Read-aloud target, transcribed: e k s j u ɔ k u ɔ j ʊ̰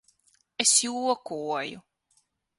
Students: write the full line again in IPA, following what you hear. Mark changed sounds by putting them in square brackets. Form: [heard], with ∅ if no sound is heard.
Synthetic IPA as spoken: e [∅] s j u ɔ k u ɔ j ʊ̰